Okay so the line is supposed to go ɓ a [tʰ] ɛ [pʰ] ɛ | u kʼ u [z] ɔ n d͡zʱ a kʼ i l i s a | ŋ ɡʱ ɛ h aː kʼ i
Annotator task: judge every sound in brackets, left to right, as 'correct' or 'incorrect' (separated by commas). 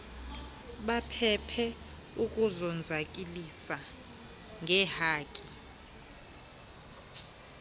incorrect, correct, correct